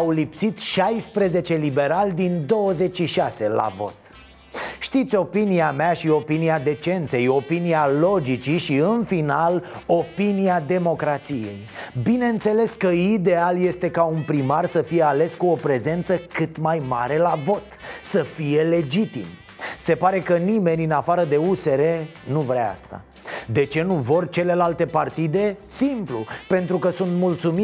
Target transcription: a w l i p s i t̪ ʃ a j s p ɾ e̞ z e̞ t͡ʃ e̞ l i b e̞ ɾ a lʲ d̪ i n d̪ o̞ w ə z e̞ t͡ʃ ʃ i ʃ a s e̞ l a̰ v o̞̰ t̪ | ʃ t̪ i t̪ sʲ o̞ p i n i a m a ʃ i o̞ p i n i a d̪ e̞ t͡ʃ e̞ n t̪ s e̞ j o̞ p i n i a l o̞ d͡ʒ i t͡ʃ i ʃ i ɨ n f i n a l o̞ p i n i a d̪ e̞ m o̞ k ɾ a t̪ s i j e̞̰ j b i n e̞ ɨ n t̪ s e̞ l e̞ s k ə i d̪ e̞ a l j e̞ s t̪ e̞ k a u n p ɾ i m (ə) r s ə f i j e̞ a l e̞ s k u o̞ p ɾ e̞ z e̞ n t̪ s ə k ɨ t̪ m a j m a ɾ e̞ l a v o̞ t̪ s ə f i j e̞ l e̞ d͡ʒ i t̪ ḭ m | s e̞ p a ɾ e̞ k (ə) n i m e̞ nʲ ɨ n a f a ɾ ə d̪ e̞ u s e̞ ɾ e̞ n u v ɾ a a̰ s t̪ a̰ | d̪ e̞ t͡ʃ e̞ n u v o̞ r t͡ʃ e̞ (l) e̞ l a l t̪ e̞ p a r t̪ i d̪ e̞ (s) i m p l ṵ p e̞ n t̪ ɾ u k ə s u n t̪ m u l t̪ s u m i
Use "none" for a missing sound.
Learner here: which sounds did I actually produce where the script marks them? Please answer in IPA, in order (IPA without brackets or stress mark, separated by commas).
a, ə, l, s